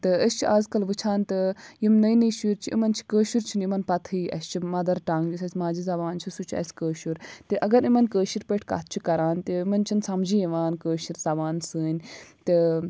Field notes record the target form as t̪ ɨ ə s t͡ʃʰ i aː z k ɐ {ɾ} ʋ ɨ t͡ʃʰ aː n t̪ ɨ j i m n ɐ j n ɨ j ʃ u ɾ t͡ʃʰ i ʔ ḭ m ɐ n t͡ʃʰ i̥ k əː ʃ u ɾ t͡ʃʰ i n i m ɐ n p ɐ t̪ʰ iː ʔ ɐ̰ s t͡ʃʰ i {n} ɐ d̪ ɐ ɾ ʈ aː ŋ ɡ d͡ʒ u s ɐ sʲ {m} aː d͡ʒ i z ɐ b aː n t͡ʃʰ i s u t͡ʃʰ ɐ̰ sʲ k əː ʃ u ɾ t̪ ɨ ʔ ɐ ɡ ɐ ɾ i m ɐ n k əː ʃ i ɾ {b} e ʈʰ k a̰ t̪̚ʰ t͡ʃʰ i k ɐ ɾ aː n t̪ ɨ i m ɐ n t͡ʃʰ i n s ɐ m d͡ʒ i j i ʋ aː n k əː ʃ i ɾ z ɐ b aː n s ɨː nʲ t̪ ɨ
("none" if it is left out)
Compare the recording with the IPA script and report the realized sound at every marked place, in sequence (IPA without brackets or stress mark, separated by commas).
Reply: l, m, m, p